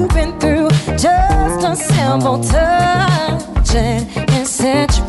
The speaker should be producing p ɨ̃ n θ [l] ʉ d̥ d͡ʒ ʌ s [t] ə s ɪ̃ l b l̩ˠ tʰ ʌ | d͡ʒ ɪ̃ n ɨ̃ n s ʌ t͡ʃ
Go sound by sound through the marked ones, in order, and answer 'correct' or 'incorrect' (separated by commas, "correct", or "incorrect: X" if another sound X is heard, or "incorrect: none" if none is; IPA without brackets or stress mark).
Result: incorrect: ɹ, correct